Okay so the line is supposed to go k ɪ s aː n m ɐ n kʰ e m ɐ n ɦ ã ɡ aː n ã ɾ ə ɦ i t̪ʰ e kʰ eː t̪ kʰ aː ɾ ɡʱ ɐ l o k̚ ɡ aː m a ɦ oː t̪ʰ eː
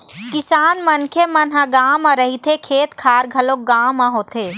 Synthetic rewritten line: k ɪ s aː n m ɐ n kʰ e m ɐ n ɦ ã ɡ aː m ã ɾ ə ɦ i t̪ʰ e kʰ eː t̪ kʰ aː ɾ ɡʱ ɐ l o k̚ ɡ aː m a ɦ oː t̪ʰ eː